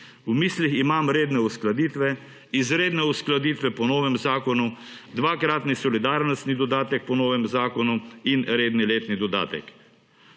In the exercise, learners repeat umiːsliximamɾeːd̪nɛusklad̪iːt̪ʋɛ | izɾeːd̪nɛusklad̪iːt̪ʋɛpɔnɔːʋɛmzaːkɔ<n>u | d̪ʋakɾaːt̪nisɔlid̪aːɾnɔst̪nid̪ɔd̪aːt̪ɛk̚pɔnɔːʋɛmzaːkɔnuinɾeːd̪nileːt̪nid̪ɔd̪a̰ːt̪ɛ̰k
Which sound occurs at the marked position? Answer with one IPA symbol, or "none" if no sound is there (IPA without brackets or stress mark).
n